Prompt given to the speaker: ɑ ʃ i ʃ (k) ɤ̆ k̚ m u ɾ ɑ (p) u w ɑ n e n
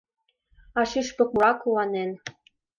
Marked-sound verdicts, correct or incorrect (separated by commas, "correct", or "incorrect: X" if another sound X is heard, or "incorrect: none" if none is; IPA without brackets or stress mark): incorrect: p, incorrect: k